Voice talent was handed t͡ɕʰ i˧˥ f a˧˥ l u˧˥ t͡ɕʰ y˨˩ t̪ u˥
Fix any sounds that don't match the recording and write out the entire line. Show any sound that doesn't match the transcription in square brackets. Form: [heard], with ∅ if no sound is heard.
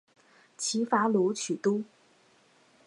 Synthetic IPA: t͡ɕʰ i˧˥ f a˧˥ l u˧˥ t͡ɕʰ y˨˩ t̪ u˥